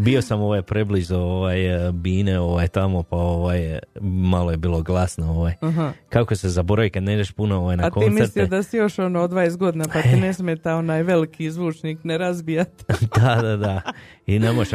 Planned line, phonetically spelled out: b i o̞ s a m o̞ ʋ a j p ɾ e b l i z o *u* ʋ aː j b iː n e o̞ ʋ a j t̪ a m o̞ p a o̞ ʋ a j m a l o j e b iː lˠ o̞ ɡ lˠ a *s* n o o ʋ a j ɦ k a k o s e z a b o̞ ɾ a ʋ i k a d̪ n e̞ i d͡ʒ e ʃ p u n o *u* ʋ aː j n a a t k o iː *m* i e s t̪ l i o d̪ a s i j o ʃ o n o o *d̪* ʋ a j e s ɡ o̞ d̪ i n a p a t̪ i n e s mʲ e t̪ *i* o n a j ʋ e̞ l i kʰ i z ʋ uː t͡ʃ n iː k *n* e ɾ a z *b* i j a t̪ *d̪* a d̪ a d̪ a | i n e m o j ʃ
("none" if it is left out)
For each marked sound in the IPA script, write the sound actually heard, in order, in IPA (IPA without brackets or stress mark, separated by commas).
o, s, o, m, d̪, a, n, b, d̪